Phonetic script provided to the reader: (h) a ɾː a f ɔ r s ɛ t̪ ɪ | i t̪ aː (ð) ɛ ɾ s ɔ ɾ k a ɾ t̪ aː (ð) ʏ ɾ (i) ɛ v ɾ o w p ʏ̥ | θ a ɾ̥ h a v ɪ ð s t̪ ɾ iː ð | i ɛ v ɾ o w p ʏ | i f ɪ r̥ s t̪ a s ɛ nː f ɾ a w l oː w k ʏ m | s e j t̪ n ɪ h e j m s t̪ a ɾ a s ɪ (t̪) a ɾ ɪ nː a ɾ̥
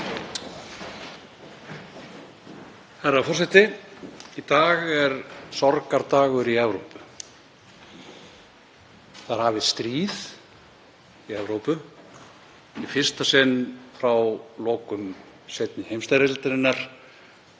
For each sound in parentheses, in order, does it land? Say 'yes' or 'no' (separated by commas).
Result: yes, no, no, yes, yes